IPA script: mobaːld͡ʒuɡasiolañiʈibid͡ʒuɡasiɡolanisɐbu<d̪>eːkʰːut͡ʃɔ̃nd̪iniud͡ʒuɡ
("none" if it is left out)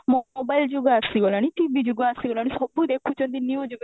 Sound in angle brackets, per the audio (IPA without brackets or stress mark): d̪